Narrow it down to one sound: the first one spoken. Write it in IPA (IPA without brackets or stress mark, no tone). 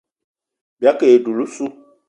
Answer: b